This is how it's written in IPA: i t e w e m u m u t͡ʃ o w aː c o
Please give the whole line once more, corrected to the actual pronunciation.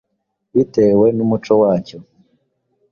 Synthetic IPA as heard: i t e w e n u m u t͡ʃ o w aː c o